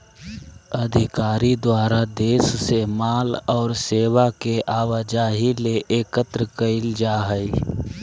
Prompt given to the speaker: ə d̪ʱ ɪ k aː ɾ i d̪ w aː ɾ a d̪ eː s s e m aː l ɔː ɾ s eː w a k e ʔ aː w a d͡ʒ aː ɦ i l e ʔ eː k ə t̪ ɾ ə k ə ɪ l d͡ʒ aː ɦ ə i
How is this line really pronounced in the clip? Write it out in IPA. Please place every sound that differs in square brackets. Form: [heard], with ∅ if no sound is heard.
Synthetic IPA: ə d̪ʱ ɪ k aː ɾ i d̪ w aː ɾ a d̪ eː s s e m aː l ɔː ɾ s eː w a k e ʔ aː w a d͡ʒ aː ɦ i l e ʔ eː k ə t̪ ɾ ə k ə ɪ l d͡ʒ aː ɦ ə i